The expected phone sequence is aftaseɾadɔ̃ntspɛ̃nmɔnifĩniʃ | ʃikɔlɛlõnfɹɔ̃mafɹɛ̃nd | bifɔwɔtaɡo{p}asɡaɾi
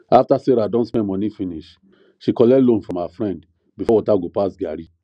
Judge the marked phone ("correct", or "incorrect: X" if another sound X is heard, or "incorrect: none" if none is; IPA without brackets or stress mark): correct